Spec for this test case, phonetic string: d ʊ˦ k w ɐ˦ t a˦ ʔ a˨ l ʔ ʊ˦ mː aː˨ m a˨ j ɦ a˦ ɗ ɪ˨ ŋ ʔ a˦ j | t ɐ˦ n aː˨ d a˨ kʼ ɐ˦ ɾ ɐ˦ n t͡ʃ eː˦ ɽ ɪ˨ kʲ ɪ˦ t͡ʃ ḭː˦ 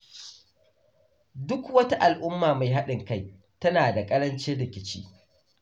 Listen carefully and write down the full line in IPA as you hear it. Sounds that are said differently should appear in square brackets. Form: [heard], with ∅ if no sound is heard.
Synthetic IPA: d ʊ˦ k w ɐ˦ t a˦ ʔ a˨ l ʔ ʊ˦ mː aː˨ m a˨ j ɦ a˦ ɗ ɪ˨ ŋ [k] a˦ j | t ɐ˦ n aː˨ d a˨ kʼ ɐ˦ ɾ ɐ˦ n t͡ʃ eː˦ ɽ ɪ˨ kʲ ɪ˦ t͡ʃ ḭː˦